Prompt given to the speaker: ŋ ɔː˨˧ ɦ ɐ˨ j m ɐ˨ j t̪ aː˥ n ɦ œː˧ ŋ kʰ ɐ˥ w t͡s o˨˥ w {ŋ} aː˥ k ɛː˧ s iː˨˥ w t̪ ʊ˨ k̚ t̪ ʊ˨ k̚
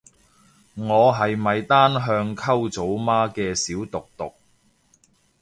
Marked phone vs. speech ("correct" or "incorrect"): incorrect